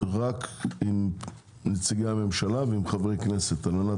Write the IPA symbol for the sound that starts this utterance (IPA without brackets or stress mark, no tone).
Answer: ʁ